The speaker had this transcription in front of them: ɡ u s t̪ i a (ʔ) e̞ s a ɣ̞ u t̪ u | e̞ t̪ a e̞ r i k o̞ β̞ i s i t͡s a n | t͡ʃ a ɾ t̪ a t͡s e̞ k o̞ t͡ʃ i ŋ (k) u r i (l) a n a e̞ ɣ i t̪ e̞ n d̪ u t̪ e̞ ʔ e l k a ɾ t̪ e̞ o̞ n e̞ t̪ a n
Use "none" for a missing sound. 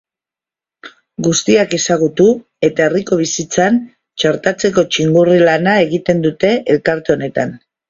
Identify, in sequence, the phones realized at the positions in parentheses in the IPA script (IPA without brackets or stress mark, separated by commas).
k, ɡ, l